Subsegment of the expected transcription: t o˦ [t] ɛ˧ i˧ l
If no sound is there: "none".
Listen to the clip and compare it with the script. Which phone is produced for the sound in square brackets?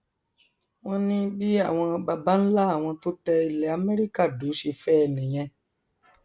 t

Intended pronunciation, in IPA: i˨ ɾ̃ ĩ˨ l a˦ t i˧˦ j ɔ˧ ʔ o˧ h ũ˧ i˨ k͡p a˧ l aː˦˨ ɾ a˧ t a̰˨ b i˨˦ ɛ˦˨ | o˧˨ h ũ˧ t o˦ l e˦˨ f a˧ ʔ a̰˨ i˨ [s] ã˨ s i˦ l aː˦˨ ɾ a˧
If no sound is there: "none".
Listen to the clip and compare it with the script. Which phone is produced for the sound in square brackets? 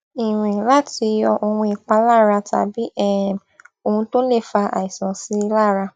s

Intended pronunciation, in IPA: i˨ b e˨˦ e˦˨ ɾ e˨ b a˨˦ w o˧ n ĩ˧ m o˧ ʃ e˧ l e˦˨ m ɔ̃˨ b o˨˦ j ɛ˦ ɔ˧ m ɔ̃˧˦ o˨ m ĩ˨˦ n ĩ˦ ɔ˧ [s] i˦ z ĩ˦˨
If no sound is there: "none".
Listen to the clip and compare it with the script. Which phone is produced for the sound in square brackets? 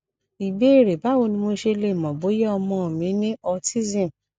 t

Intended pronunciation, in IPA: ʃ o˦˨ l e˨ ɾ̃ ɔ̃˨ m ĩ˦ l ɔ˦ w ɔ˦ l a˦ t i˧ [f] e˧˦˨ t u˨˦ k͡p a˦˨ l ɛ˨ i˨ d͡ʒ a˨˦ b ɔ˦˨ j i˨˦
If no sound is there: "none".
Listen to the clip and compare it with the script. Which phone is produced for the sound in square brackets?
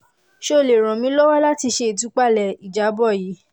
ʃ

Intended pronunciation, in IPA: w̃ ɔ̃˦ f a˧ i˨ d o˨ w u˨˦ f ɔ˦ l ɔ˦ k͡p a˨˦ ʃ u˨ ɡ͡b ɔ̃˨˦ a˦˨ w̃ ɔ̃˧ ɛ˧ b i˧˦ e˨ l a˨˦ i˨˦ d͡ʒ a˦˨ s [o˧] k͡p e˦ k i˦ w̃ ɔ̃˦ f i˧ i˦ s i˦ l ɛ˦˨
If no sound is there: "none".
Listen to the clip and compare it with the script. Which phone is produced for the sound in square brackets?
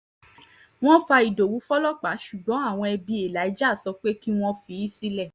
ɔ˧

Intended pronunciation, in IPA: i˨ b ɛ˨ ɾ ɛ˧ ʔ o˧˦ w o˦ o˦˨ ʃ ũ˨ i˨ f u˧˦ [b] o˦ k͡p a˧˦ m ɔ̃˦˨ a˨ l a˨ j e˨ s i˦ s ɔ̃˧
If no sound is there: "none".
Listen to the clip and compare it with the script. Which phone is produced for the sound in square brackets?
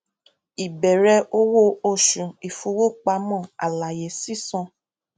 w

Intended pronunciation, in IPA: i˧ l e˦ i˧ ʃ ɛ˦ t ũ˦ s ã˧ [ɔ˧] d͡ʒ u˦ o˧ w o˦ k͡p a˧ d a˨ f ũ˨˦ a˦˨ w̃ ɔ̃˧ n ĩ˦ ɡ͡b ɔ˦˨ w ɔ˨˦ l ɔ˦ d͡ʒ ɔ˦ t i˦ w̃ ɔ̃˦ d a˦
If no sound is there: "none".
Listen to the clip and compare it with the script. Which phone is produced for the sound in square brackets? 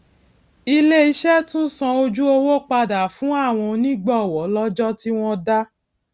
o˧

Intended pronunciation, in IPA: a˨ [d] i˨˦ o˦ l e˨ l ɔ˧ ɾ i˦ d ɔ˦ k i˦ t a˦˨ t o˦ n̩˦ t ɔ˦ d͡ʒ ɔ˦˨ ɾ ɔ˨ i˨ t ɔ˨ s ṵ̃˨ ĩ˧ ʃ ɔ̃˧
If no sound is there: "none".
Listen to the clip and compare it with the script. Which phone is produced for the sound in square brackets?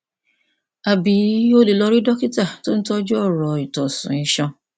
b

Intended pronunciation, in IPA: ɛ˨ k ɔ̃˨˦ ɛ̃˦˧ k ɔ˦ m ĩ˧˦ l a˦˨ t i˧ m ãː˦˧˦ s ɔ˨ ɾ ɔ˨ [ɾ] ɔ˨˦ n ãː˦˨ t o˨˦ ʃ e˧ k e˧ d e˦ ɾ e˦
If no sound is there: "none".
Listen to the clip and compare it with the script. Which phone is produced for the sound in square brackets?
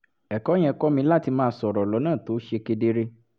l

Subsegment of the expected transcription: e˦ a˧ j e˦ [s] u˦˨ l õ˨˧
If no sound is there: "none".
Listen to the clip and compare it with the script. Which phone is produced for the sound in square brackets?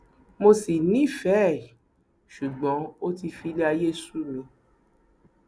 s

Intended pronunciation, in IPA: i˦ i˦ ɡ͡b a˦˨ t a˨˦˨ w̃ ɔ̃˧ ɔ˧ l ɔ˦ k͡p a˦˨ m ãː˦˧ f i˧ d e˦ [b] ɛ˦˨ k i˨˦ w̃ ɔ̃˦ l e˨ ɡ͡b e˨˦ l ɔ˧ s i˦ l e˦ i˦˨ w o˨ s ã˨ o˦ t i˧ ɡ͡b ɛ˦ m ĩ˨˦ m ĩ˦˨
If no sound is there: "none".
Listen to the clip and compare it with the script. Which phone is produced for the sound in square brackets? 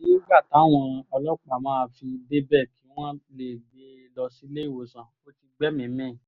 b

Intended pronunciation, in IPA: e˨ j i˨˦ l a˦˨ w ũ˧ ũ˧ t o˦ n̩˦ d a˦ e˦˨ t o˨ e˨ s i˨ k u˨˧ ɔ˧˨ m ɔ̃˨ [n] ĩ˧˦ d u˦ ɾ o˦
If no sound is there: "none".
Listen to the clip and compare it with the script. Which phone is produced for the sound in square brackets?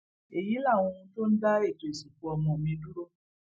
m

